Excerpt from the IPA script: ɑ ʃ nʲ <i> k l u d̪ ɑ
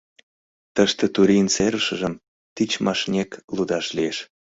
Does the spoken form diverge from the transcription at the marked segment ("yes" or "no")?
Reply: yes